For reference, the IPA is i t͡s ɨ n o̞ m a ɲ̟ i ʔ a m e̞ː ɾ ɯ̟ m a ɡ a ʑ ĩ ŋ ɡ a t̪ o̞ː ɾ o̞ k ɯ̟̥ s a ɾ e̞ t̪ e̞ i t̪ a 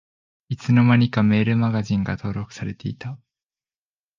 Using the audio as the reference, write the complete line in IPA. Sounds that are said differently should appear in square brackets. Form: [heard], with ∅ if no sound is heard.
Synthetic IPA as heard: i t͡s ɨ n o̞ m a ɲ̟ i [k] a m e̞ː ɾ ɯ̟ m a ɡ a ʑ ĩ ŋ ɡ a t̪ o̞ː ɾ o̞ k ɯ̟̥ s a ɾ e̞ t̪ e̞ i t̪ a